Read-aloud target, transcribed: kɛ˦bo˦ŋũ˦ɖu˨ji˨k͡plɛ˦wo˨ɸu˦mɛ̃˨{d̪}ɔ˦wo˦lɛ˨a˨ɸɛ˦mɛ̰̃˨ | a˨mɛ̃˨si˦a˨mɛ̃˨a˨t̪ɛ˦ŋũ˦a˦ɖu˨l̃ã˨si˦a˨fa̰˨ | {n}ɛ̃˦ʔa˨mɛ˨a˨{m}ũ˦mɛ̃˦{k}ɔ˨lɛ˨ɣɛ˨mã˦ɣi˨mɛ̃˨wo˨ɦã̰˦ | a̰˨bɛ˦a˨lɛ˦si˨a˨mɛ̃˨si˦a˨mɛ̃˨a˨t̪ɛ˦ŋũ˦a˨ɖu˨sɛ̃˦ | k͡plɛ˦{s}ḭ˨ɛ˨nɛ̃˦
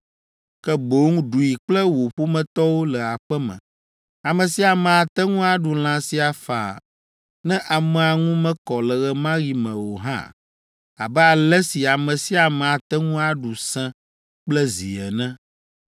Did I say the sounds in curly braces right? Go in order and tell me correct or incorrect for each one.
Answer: incorrect: t̪, correct, incorrect: ŋ, correct, incorrect: z

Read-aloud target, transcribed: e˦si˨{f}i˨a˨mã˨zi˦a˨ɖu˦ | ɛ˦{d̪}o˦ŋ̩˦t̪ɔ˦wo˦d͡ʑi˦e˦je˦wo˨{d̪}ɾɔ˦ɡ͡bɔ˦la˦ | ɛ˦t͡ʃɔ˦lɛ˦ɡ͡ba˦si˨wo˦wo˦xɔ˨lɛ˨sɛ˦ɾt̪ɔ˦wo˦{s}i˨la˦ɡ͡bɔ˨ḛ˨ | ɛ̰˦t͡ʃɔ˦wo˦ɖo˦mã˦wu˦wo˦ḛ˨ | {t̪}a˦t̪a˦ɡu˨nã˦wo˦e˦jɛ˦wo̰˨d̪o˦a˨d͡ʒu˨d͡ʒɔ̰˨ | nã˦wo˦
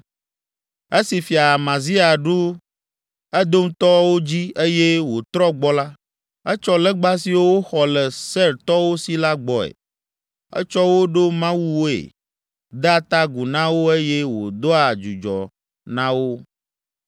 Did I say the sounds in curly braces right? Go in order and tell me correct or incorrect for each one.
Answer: correct, correct, incorrect: t̪, correct, incorrect: d̪

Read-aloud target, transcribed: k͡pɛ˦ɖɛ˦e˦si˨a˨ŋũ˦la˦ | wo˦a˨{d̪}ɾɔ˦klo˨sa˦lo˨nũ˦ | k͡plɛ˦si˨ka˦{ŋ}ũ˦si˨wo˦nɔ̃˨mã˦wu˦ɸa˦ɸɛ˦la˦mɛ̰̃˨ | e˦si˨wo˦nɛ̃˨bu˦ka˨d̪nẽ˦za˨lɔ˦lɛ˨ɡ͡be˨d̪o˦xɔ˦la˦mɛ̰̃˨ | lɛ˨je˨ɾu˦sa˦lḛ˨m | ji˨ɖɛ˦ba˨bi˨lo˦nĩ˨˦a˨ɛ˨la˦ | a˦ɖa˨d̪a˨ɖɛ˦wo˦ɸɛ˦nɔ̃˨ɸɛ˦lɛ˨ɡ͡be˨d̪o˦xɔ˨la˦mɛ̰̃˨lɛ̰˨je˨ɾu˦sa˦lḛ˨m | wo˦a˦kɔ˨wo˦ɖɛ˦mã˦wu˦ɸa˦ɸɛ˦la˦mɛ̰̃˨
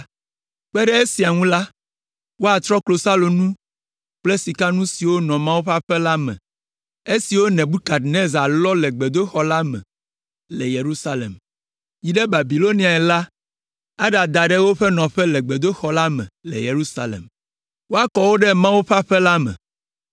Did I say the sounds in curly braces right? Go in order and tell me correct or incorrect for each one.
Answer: incorrect: t̪, incorrect: n

